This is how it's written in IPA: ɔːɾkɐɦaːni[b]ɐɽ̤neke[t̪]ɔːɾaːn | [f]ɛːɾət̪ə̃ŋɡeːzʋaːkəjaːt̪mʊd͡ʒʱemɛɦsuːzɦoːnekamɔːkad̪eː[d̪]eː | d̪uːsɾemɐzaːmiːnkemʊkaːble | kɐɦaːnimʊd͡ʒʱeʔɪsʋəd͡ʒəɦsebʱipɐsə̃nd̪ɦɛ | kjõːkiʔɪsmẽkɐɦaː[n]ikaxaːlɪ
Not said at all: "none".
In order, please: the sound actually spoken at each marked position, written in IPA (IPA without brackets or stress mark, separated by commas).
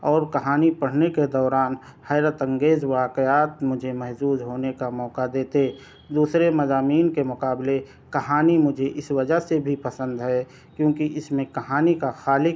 p, d̪, h, t̪, n